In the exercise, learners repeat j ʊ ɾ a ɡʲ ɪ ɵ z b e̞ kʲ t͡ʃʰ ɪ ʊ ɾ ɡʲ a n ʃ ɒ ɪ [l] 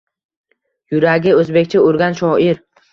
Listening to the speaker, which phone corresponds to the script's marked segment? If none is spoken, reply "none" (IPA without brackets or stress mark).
ɾ